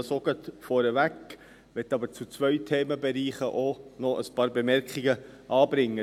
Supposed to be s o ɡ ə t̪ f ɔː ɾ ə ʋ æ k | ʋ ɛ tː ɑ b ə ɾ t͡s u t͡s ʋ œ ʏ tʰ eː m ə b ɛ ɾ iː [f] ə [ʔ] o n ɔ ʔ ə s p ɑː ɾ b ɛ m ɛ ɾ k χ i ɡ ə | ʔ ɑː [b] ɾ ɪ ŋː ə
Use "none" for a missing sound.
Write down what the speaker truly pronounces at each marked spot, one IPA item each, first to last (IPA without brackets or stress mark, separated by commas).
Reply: χ, ʔ, b